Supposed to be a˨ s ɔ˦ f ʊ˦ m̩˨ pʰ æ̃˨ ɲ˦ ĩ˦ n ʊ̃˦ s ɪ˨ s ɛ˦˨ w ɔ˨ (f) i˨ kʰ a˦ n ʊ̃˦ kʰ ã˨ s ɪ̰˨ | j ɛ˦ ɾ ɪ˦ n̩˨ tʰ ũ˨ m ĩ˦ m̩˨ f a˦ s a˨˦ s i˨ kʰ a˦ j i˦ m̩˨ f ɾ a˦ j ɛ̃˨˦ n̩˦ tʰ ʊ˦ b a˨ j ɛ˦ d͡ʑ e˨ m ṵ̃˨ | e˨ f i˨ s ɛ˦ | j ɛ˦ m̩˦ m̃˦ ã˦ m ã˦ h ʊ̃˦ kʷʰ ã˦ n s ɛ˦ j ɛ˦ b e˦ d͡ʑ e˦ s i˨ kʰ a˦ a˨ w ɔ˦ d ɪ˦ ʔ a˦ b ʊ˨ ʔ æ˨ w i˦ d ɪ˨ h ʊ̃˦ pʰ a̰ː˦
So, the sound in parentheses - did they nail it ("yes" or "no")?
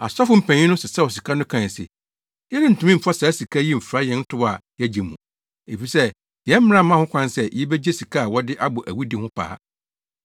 no